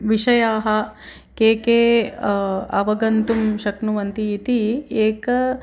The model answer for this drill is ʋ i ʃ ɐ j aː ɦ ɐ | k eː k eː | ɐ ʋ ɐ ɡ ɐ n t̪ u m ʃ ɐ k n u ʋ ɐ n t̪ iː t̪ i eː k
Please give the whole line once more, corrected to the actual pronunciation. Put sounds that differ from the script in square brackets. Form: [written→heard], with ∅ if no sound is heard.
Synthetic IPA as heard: ʋ i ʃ ɐ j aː ɦ ɐ | k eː k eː | ɐ ʋ ɐ ɡ ɐ n t̪ u m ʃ ɐ k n u ʋ ɐ n t̪ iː t̪ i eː k